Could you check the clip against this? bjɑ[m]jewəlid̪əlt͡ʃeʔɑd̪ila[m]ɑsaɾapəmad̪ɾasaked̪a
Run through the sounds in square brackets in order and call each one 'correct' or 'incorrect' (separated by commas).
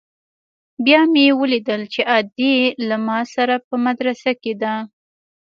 correct, correct